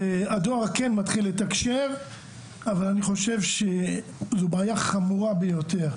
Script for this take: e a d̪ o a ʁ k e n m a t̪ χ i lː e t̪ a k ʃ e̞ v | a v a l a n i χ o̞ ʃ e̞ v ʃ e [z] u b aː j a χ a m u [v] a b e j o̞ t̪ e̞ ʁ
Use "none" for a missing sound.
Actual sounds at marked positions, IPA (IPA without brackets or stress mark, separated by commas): z, ʁ